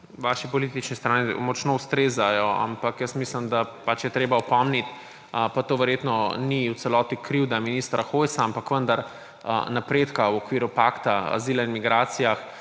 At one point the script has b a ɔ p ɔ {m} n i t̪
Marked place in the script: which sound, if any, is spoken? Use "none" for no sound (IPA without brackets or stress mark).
m